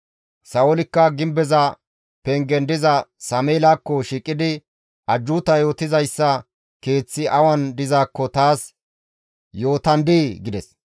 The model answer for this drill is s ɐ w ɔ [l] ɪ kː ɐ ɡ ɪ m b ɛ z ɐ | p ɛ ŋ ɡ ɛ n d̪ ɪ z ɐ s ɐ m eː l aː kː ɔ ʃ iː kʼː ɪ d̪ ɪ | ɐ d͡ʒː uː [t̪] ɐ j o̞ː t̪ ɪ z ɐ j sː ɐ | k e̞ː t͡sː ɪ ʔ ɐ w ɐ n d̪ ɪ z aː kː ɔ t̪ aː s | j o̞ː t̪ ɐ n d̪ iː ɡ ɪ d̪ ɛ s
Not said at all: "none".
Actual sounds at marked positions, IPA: l, t̪

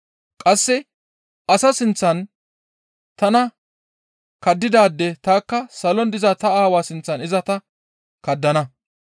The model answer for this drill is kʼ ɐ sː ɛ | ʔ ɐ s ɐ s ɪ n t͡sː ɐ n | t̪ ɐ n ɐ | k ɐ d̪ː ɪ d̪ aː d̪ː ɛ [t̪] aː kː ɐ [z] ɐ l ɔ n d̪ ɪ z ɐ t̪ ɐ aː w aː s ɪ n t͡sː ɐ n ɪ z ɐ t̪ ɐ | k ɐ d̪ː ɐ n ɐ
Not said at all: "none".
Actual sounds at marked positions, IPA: t̪, s

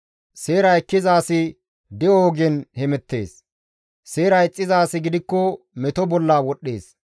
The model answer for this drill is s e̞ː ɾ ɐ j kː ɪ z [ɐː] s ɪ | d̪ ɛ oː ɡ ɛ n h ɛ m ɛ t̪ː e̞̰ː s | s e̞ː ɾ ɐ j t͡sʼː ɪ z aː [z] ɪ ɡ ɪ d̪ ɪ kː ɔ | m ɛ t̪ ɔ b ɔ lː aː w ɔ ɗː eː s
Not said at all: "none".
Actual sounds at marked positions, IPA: aː, s

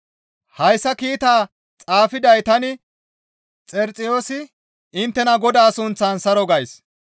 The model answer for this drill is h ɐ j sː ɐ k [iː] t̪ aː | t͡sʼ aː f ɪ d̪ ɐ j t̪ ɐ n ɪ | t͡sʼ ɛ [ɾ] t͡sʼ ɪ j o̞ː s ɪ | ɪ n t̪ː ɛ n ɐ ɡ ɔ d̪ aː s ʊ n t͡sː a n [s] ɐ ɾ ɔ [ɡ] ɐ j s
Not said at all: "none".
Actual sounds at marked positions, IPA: iː, ɾ, s, ɡ

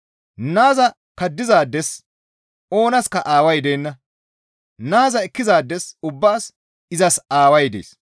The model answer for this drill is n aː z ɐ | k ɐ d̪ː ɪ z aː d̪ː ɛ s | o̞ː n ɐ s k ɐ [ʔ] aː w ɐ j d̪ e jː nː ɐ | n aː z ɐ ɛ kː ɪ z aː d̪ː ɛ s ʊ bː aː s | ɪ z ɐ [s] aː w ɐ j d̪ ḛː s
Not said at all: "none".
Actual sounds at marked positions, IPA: ʔ, s

